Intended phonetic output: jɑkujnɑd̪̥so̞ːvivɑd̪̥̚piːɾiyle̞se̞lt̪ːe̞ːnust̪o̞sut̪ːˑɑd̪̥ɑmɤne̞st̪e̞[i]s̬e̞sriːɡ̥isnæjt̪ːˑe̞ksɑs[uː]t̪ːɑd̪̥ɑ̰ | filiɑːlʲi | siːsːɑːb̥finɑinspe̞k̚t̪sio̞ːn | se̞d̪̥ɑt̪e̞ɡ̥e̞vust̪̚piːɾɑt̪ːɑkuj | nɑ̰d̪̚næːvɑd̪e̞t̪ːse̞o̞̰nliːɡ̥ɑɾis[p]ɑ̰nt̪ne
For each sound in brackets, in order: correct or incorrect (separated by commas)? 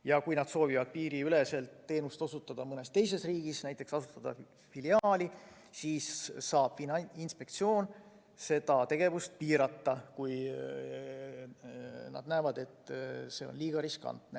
incorrect, incorrect, incorrect